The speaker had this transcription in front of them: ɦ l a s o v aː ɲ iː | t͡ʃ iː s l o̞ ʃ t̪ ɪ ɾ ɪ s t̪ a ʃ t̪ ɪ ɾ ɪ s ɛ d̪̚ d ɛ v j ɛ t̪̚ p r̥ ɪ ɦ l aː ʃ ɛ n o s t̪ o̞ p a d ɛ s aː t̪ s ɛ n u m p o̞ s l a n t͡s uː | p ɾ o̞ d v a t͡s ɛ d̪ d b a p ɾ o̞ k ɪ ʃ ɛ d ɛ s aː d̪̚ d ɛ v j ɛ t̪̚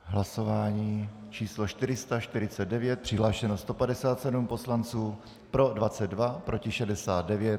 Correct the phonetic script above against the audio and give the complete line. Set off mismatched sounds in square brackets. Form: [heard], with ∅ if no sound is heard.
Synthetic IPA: ɦ l a s o v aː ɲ iː | t͡ʃ iː s l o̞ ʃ t̪ ɪ ɾ ɪ s t̪ a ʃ t̪ ɪ ɾ ɪ [t͡s] ɛ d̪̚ d ɛ v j ɛ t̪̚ p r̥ ɪ ɦ l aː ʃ ɛ n o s t̪ o̞ p a d ɛ s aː t̪ s ɛ [d] u m p o̞ s l a n t͡s uː | p ɾ o̞ d v a t͡s ɛ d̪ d [v] a p ɾ o̞ [c] ɪ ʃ ɛ d ɛ s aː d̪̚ d ɛ v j ɛ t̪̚